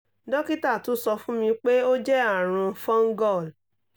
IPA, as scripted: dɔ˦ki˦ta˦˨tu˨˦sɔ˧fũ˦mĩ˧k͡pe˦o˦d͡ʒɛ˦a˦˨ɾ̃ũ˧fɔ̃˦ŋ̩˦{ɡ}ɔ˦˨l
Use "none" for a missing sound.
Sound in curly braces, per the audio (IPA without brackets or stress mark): ɡ